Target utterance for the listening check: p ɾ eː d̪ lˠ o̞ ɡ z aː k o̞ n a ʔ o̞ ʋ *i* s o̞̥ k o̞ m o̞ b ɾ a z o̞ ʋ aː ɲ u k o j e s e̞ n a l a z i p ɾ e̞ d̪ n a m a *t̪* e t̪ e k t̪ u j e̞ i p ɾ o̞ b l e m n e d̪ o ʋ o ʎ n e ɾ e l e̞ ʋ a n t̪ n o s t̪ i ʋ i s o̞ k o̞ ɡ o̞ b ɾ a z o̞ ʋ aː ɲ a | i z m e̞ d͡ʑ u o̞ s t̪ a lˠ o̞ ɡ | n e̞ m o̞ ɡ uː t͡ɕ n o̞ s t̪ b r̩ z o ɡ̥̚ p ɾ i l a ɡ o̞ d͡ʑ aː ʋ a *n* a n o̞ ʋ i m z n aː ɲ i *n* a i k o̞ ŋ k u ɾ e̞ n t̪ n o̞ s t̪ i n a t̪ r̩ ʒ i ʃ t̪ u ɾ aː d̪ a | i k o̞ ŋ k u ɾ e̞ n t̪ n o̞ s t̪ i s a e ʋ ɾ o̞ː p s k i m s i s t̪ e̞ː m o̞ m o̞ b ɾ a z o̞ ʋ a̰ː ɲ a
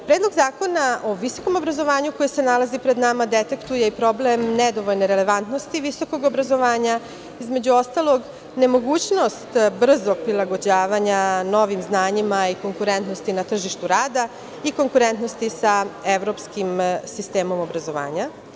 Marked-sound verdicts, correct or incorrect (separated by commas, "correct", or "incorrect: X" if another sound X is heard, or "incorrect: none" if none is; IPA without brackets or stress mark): correct, incorrect: d̪, incorrect: ɲ, incorrect: m